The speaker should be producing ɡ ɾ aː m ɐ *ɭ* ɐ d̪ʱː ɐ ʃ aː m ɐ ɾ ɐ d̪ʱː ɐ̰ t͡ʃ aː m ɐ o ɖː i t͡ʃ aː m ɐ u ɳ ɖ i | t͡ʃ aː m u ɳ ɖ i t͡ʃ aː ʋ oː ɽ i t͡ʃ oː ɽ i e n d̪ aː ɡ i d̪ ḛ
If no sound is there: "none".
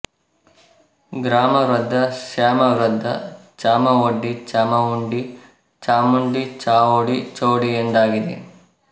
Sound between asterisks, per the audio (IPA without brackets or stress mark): ɾ